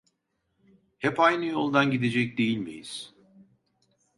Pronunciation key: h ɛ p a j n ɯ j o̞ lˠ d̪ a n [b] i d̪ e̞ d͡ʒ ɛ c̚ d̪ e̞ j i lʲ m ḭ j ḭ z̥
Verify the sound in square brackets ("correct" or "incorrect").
incorrect